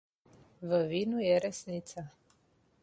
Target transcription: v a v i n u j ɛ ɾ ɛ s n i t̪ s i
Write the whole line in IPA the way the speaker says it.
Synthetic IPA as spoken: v ə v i n u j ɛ ɾ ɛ s n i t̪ s a